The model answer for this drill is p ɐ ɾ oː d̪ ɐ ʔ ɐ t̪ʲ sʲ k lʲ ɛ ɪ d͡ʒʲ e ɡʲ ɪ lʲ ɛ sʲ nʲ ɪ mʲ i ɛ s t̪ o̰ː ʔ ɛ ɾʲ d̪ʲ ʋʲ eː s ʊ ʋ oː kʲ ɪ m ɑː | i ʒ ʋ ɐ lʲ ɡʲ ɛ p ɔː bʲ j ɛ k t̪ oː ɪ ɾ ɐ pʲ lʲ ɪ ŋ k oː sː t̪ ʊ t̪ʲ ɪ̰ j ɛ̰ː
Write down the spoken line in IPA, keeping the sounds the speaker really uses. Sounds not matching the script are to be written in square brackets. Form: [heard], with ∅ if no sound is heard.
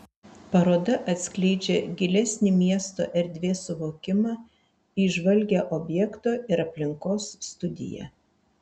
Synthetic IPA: p ɐ ɾ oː d̪ ɐ ʔ ɐ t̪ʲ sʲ k lʲ ɛ ɪ d͡ʒʲ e ɡʲ ɪ lʲ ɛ sʲ nʲ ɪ mʲ i ɛ s t̪ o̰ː ʔ ɛ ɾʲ d̪ʲ ʋʲ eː s ʊ ʋ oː kʲ ɪ m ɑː | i ʒ ʋ ɐ lʲ ɡʲ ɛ [ʔ] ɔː bʲ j ɛ k t̪ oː ɪ ɾ ɐ pʲ lʲ ɪ ŋ k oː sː t̪ ʊ [d̪ʲ] ɪ̰ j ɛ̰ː